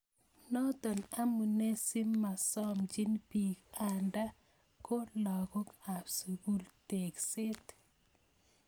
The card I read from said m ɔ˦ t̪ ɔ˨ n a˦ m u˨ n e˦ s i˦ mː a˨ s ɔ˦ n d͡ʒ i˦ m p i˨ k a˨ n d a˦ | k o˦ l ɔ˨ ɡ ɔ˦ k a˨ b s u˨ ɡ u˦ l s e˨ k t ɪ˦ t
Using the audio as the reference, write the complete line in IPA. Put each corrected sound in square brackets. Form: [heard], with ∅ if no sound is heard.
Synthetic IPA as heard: [n] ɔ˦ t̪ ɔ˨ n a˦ m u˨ n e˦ s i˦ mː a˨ s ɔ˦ [m] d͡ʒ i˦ [n] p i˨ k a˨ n d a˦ | k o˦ l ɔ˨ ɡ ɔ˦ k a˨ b s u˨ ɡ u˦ l [t] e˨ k [s] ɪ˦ t

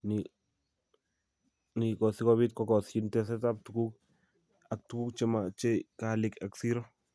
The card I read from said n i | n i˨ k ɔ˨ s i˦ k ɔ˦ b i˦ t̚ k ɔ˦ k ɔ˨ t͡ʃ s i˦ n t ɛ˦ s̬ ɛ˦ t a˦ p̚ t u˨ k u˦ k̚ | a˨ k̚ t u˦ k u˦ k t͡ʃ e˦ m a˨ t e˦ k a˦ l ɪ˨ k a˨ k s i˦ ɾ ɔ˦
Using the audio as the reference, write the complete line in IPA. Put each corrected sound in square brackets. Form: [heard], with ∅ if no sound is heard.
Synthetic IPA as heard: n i | n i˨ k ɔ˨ s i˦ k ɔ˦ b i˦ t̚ k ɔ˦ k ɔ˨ [∅] s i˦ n t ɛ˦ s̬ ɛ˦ t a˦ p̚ t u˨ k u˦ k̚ | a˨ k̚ t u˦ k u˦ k t͡ʃ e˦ m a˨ [t͡ʃ] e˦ k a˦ l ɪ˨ k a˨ k s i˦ ɾ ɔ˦

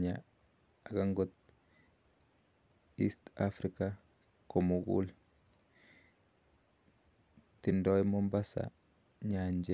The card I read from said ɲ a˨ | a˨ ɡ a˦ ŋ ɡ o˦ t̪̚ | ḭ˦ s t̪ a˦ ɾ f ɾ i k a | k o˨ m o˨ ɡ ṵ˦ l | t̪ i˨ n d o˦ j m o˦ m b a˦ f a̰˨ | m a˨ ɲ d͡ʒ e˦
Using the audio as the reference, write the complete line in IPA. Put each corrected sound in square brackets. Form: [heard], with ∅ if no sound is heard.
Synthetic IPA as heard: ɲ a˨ | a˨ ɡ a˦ ŋ ɡ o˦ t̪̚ | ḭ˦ s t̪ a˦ [∅] f ɾ i k a | k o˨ m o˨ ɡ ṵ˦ l | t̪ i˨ n d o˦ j m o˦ m b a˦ [s] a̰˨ | [ɲ] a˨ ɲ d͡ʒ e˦

